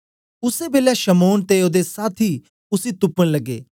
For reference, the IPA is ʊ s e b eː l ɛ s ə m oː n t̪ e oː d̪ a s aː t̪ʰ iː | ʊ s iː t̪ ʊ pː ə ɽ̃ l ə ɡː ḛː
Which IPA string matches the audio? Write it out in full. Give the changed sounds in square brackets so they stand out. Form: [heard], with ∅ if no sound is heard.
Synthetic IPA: ʊ s e b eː l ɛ [ʃ] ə m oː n t̪ e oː d̪ [e] s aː t̪ʰ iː | ʊ s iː t̪ ʊ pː ə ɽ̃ l ə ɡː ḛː